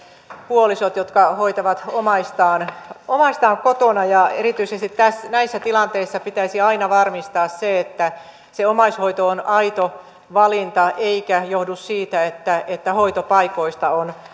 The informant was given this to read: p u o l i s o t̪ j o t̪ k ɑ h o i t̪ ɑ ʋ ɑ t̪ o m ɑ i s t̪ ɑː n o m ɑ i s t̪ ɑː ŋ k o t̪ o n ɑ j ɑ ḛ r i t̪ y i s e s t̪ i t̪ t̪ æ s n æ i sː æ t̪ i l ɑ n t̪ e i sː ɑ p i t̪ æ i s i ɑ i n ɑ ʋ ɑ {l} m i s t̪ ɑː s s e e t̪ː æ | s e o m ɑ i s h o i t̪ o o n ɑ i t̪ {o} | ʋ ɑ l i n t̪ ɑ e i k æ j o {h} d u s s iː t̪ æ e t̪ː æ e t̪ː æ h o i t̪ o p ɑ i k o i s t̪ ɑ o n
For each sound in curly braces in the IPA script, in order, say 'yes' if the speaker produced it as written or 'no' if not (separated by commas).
no, yes, yes